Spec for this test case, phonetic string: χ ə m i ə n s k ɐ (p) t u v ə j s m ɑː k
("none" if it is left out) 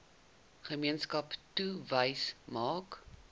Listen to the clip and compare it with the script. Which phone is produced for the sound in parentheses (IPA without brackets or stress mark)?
p